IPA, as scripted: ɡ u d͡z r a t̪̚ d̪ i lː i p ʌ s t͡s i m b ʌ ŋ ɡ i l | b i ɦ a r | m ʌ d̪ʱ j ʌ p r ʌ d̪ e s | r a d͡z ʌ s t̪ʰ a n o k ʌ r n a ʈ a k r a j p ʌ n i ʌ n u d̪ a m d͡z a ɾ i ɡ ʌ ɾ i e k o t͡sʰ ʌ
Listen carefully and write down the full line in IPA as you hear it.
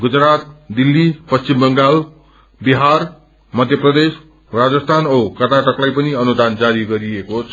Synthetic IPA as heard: ɡ u d͡z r a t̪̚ d̪ i lː i p ʌ s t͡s i m b ʌ ŋ ɡ a l | b i ɦ a r | m ʌ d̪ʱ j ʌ p r ʌ d̪ e s | r a d͡z ʌ s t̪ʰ a n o k ʌ r n a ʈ ʌ k l a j p ʌ n i ʌ n u d̪ a n d͡z a ɾ i ɡ ʌ ɾ i e k o t͡sʰ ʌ